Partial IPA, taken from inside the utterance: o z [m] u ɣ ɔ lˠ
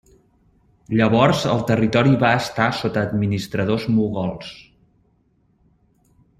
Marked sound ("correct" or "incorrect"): correct